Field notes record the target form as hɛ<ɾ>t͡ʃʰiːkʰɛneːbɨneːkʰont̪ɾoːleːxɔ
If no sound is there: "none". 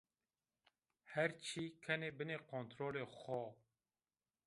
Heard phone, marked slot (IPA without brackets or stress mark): ɾ